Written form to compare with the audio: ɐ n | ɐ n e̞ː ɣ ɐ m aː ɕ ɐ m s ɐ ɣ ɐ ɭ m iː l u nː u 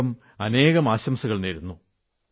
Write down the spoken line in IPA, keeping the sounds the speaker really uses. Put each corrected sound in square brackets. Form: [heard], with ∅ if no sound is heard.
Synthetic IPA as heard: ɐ [m] | ɐ n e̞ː ɣ ɐ m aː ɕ ɐ m s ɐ ɣ ɐ ɭ [n] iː [ɾ] u nː u